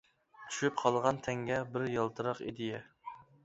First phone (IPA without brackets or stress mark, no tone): t̪ʰ